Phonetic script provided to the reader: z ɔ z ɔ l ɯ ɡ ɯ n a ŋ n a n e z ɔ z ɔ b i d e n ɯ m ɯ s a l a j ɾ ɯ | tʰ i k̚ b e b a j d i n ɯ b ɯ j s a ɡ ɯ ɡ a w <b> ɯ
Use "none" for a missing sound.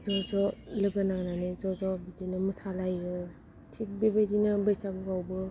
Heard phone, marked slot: b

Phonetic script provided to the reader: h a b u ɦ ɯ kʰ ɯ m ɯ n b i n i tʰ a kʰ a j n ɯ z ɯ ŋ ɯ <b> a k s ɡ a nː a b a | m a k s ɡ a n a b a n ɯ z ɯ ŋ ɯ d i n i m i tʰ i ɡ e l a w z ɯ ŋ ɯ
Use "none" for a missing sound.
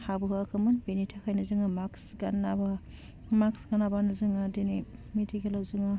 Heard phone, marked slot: m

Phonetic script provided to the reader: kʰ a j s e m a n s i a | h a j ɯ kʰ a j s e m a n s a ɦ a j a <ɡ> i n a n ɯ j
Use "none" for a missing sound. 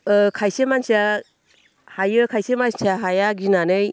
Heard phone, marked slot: ɡ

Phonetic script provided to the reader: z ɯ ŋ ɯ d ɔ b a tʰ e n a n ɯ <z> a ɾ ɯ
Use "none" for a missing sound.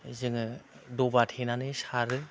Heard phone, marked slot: s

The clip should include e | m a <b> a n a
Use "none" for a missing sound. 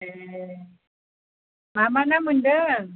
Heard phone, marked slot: m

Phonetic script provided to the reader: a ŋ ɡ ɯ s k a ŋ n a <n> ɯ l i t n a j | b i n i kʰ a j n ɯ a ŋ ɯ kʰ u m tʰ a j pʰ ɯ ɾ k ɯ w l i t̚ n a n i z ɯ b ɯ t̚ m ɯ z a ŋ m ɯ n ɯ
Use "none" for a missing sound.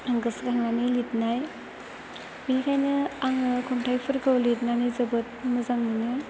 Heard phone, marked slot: n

